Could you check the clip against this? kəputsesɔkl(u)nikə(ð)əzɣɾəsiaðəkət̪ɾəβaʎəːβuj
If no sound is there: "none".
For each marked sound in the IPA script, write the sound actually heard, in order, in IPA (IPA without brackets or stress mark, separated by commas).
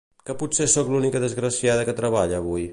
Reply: u, ð